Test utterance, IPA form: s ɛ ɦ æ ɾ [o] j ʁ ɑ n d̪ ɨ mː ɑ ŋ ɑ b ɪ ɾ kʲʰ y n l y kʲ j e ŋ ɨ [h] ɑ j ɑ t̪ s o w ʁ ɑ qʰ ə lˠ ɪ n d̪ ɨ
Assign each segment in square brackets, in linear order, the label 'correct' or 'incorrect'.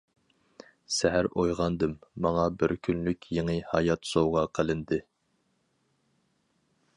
correct, correct

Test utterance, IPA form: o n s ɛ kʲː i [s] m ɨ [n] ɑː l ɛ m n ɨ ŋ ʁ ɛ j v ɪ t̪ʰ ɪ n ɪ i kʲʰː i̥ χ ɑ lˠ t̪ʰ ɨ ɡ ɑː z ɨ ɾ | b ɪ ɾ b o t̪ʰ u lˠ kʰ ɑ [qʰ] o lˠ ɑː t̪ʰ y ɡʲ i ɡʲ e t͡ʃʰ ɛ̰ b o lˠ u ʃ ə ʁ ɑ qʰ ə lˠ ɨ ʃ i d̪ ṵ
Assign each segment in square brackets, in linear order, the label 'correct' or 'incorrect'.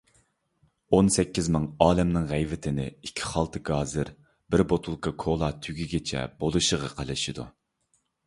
incorrect: z, incorrect: ŋ, incorrect: kʰ

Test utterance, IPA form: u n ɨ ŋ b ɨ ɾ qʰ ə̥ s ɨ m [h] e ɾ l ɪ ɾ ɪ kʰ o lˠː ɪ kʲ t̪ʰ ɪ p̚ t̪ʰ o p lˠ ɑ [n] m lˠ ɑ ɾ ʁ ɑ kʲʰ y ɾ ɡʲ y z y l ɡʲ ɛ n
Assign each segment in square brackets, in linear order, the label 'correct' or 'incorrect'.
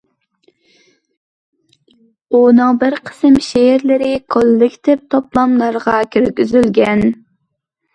incorrect: ʃ, incorrect: none

